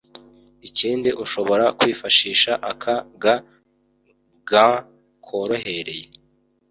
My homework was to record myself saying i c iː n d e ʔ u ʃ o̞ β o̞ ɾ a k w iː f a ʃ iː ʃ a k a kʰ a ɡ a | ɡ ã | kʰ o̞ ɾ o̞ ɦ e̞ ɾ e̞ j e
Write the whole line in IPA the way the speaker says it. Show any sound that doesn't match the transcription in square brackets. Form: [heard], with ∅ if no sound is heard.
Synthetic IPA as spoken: i c iː n d [i] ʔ u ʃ o̞ β o̞ ɾ a k w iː f a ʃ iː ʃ a [ʔ] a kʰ a ɡ a | ɡ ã | kʰ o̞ ɾ o̞ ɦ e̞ ɾ e̞ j e